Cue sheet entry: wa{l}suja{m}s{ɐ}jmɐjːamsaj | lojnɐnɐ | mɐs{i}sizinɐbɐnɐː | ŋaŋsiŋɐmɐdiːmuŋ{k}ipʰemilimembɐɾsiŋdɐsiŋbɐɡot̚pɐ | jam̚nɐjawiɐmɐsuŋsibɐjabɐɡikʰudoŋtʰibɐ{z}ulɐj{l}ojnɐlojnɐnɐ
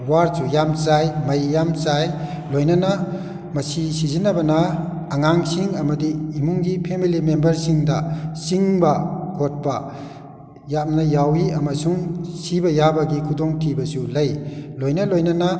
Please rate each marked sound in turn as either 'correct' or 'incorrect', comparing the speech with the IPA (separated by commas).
incorrect, correct, incorrect, correct, incorrect, incorrect, correct